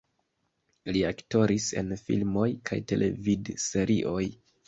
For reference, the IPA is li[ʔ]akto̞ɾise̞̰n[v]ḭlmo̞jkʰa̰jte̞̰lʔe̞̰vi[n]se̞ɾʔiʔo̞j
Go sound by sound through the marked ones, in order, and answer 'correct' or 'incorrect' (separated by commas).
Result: incorrect, incorrect, incorrect